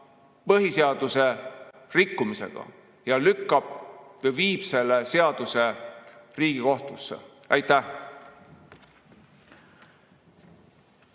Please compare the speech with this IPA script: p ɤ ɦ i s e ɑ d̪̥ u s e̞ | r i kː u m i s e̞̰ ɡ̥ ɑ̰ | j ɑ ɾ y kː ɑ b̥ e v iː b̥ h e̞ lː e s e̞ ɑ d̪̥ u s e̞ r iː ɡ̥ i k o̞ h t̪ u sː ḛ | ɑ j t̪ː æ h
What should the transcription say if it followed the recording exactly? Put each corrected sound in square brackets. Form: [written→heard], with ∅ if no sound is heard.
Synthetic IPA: p ɤ ɦ i s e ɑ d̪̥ u s e̞ | r i kː u m i s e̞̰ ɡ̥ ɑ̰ | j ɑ [ɾ→l] y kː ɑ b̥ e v iː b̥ [h→s] e̞ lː e s e̞ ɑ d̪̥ u s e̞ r iː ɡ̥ i k o̞ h t̪ u sː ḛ | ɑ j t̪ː æ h